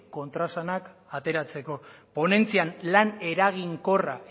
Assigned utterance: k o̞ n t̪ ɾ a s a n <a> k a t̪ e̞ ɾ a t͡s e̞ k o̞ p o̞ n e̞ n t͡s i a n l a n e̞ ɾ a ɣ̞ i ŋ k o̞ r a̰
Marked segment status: correct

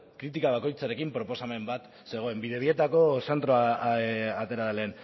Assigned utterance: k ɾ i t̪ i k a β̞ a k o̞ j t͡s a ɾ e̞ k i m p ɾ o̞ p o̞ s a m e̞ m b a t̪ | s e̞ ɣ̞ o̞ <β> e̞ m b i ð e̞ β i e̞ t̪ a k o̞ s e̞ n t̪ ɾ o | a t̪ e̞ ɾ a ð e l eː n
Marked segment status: incorrect: none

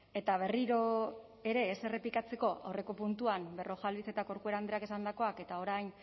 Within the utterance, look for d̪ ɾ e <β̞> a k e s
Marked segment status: incorrect: none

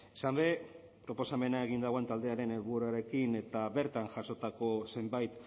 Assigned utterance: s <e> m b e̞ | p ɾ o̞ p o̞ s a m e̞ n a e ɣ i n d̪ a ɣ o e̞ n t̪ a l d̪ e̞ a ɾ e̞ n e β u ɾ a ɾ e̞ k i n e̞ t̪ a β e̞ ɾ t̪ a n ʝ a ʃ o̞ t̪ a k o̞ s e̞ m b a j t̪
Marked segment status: incorrect: a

